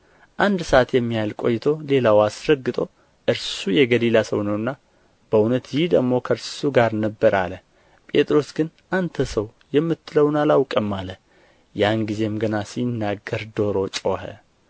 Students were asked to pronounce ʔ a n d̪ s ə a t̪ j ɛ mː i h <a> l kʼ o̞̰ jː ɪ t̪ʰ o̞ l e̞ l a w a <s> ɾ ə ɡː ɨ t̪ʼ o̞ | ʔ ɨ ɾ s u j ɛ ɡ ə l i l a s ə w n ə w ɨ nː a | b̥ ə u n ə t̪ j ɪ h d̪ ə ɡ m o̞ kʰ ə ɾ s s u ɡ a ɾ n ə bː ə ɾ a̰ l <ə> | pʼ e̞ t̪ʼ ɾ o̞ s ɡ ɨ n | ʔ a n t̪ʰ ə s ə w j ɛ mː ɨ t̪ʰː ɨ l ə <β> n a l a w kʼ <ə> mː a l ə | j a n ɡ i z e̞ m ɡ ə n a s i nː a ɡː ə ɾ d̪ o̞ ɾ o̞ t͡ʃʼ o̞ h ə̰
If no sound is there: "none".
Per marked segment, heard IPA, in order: a, s, ə, w, ə

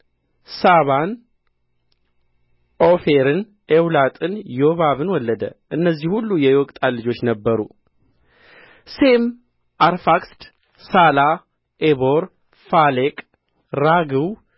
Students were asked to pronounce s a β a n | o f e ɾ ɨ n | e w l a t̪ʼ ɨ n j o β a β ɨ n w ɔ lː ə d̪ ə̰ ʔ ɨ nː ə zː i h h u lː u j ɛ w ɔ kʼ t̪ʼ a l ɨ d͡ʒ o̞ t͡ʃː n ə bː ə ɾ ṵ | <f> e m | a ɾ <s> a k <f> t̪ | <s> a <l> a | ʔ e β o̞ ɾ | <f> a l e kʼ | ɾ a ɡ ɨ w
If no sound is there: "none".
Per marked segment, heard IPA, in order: s, f, s, s, l, f

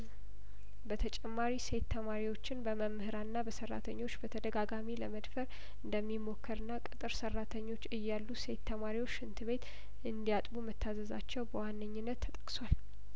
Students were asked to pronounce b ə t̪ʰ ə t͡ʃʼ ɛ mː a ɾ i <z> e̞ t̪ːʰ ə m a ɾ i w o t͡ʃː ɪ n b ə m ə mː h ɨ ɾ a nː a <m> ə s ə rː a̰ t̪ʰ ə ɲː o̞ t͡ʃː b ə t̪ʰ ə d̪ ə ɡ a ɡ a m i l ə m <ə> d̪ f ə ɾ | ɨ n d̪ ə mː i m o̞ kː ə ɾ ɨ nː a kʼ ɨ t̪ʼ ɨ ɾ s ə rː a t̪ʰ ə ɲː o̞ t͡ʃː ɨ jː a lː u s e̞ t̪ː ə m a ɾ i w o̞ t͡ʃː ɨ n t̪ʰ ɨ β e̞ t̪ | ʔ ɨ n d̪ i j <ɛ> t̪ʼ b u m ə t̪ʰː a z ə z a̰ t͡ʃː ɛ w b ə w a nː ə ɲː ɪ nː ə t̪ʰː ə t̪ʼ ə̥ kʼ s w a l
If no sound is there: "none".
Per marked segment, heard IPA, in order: s, b, ə, a

